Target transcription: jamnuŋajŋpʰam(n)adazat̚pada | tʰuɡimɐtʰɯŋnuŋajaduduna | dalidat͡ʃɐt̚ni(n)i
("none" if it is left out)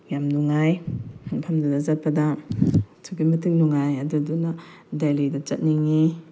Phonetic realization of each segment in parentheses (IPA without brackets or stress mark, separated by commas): d, ŋ